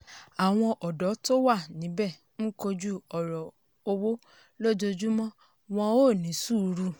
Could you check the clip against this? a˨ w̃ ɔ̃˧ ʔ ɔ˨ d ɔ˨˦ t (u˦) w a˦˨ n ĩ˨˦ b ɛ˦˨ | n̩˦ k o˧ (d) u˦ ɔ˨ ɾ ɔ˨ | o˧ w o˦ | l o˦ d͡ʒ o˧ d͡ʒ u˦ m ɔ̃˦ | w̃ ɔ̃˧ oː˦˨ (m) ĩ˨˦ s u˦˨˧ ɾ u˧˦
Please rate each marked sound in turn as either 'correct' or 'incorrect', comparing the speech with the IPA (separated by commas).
incorrect, incorrect, incorrect